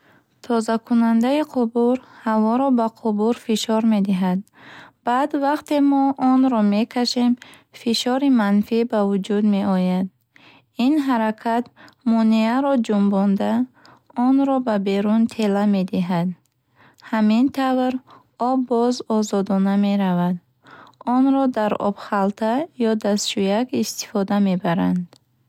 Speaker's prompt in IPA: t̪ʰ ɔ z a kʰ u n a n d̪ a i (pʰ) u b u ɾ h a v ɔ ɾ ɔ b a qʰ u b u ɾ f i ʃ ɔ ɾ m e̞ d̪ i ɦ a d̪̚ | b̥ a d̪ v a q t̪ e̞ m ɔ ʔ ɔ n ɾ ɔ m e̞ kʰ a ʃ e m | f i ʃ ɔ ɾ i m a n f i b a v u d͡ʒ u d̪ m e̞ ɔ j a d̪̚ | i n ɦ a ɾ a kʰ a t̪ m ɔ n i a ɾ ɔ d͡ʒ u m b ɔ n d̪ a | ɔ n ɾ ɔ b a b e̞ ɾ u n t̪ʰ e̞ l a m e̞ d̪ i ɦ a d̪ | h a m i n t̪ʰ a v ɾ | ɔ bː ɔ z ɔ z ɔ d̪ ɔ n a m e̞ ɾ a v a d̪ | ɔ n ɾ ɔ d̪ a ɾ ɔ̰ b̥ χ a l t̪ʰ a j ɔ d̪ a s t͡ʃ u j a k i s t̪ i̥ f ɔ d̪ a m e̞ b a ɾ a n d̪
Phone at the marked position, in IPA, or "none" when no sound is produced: qʰ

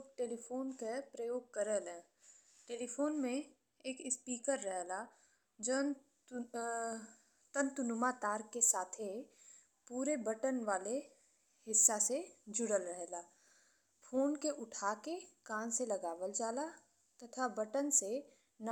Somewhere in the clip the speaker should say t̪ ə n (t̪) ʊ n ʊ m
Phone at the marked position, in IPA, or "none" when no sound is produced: t̪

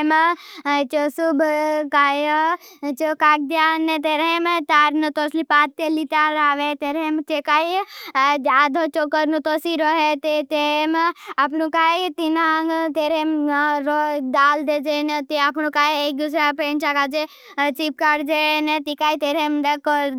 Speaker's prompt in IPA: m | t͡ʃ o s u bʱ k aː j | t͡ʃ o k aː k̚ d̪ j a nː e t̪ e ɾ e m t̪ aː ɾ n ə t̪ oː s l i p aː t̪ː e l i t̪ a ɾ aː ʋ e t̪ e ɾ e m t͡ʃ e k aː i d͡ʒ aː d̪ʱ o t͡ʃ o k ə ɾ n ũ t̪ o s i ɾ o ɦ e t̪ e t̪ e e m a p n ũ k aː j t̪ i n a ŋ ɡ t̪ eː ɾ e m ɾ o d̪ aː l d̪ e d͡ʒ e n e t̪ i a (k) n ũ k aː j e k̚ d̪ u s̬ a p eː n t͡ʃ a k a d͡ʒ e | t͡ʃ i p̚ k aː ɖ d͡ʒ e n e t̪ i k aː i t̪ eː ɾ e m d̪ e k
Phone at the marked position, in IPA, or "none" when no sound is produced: p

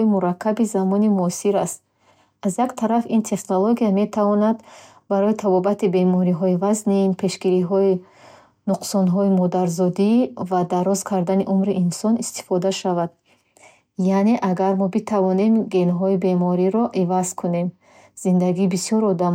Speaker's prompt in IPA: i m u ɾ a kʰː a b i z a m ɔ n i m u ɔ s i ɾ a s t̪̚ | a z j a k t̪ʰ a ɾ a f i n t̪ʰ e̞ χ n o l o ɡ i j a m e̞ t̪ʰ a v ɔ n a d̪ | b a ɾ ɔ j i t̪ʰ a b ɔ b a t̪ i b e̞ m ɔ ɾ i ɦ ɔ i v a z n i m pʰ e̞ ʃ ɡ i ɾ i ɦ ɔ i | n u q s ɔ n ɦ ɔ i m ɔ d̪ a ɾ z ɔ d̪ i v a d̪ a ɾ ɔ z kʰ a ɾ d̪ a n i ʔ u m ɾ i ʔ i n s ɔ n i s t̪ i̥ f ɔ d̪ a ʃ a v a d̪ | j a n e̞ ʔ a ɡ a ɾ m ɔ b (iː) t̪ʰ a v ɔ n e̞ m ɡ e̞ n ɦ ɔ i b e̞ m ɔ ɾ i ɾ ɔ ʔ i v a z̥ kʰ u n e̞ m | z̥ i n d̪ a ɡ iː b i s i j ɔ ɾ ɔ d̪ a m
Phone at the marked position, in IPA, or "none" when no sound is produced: i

